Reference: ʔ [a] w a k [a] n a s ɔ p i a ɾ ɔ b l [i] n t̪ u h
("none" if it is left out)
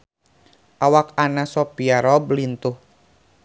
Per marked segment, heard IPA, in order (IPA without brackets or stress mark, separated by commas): a, a, i